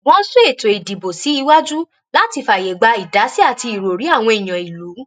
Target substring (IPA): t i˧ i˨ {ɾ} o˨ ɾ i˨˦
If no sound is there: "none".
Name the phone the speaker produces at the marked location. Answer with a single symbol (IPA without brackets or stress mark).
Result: ɾ